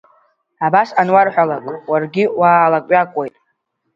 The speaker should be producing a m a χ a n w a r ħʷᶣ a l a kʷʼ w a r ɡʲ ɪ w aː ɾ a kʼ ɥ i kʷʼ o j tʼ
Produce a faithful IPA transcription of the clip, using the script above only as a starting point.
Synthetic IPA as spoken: a b a s a n w a r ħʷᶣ a l a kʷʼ w a r ɡʲ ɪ w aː l a kʼ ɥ a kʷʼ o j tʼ